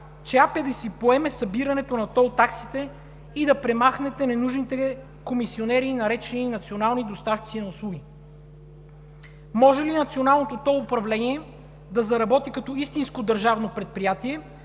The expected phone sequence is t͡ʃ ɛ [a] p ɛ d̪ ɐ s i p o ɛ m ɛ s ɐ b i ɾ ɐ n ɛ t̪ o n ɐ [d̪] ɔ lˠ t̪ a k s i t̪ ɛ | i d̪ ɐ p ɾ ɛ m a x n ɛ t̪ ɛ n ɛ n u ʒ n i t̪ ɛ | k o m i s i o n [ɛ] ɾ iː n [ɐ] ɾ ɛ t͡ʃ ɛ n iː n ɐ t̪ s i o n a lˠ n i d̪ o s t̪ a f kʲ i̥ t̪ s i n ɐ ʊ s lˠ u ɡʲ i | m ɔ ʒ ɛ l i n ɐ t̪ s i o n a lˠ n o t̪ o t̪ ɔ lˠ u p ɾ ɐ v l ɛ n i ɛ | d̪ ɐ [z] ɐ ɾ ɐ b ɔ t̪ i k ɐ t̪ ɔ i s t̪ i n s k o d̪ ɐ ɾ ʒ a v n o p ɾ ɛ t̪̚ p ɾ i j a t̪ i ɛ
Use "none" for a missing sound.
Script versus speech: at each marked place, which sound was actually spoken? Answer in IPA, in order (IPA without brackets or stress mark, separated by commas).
a, t̪, ɛ, ɐ, z